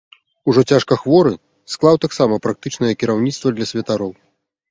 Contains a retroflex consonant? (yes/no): yes